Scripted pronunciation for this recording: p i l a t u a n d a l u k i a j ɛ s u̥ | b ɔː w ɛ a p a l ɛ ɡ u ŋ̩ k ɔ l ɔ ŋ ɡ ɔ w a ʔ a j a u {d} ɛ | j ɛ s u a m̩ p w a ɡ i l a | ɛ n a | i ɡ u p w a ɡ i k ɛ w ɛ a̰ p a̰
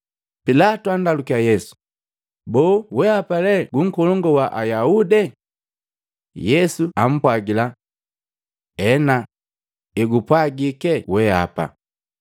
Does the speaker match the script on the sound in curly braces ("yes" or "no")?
yes